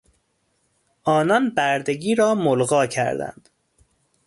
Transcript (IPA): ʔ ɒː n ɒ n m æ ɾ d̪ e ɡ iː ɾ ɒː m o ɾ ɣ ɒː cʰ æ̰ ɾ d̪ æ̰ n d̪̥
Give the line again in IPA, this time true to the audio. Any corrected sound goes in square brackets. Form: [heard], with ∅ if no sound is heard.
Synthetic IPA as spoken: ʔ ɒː n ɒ n [b] æ ɾ d̪ e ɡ iː ɾ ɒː m o [l] ɣ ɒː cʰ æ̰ ɾ d̪ æ̰ n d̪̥